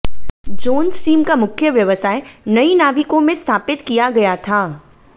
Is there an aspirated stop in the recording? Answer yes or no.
yes